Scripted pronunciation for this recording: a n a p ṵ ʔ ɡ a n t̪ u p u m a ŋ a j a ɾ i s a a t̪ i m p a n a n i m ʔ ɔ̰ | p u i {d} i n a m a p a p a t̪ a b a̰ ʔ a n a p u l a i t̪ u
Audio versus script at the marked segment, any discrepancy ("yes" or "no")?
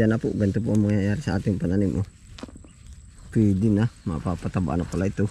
no